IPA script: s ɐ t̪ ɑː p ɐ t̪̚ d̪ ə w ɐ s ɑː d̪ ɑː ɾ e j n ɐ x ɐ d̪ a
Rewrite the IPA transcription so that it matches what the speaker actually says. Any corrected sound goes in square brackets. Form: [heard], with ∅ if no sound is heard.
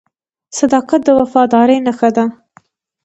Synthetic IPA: s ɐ [d̪] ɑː [q] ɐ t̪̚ d̪ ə w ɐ [f] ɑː d̪ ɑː ɾ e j n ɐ x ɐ d̪ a